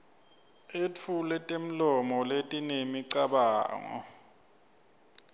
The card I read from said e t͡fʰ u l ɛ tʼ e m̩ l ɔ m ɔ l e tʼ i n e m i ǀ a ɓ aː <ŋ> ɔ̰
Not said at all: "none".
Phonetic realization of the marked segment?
ŋ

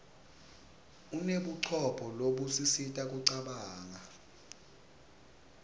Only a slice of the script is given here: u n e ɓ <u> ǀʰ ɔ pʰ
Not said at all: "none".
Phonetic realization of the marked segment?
u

